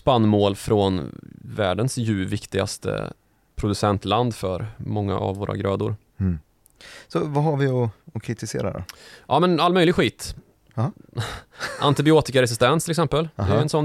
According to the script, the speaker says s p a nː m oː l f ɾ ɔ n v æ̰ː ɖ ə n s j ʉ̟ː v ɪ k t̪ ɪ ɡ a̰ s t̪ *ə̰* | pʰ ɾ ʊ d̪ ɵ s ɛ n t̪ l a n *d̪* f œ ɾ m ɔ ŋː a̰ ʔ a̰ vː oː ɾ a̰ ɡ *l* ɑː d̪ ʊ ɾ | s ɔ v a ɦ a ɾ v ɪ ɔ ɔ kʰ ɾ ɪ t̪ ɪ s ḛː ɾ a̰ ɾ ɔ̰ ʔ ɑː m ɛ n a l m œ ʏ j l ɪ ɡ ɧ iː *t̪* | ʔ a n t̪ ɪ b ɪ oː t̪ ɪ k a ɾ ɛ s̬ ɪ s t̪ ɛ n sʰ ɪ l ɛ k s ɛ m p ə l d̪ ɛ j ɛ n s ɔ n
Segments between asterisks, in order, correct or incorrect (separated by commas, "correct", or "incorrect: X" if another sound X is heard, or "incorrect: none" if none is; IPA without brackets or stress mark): correct, correct, incorrect: ɾ, correct